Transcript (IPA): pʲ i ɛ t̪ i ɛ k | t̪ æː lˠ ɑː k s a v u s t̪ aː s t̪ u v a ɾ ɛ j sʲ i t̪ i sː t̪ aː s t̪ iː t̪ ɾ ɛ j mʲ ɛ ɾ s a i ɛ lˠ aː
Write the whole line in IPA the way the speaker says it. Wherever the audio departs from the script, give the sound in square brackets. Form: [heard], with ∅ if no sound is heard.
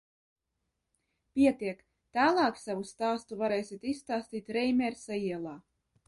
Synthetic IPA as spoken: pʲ i ɛ t̪ i ɛ k | t̪ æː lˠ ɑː k s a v u s t̪ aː s t̪ u v a ɾ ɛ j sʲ i t̪ i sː t̪ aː s t̪ iː t̪ ɾ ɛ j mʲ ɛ ɾ s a i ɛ lˠ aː

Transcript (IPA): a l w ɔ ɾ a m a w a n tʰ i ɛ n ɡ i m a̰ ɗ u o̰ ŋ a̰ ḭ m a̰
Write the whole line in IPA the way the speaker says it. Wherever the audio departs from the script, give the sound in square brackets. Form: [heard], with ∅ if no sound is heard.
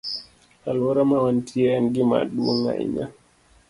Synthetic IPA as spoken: a l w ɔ ɾ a m a w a n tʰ i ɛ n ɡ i m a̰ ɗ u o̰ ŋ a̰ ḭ [ɲ] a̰

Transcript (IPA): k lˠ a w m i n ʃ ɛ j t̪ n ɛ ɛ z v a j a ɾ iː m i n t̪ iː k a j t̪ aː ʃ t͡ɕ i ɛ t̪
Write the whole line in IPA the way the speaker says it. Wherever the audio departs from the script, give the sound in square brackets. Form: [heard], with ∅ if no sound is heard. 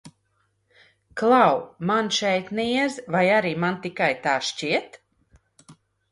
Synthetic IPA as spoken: k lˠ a w m [a] n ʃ ɛ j t̪ n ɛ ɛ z v a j a ɾ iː m [a] n t̪ [i] k a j t̪ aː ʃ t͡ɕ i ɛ t̪

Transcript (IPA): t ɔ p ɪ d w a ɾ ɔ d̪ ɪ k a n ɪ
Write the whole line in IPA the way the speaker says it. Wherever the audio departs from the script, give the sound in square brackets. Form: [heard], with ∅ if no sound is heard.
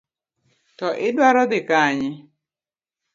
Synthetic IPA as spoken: t ɔ [ʔ] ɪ d w a ɾ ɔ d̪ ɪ k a [ɲ] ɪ

